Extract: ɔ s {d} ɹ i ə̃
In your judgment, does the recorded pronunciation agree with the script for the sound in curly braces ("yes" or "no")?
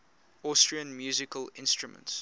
no